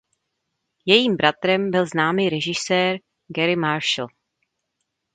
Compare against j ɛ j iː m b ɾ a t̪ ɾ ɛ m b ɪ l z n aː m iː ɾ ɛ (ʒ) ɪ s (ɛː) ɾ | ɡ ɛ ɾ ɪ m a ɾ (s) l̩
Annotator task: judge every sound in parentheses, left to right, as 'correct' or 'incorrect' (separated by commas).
correct, correct, incorrect